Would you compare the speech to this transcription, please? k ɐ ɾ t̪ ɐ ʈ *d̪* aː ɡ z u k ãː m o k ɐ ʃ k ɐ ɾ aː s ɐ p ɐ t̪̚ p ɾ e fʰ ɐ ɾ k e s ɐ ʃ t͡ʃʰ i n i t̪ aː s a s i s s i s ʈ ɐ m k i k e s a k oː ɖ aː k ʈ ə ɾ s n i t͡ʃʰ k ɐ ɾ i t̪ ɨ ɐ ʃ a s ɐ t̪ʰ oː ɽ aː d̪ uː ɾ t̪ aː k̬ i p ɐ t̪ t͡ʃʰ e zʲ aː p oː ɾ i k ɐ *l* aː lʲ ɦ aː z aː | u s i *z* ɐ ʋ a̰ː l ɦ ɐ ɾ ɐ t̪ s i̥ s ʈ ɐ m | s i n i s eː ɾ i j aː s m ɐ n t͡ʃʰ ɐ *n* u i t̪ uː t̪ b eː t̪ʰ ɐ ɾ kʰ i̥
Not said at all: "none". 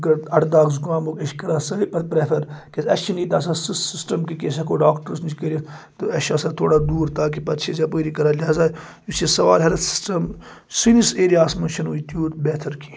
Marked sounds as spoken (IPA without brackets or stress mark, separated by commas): d̪, ɾ, s, n